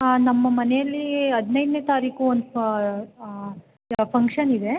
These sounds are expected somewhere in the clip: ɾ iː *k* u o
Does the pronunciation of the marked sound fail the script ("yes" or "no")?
no